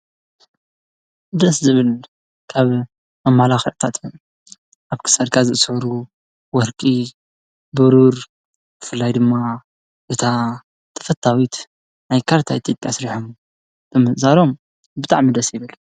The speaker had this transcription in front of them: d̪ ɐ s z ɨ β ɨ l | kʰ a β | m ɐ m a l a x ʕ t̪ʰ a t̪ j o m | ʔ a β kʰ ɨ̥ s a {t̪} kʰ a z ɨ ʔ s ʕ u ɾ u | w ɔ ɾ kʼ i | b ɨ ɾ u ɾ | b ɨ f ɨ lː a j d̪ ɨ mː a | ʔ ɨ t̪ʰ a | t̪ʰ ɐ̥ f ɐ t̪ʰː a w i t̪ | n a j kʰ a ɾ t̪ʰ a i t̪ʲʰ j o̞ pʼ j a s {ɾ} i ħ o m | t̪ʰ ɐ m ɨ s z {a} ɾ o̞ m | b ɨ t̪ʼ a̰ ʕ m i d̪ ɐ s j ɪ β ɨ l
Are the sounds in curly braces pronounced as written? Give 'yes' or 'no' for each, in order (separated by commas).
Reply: no, yes, yes